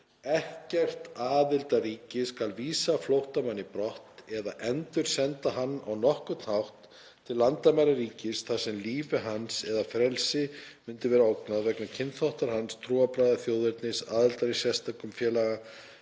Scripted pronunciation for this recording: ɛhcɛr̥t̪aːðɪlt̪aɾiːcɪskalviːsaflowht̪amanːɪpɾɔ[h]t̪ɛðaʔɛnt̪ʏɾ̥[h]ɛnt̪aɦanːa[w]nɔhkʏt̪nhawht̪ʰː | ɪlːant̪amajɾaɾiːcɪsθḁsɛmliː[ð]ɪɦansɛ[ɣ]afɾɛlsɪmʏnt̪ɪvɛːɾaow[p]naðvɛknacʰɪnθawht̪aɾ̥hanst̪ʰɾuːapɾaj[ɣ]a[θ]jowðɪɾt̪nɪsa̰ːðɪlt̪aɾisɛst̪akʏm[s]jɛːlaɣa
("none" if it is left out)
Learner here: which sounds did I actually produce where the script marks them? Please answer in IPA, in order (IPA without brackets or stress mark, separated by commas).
h, s, w, v, ð, k, ð, θ, f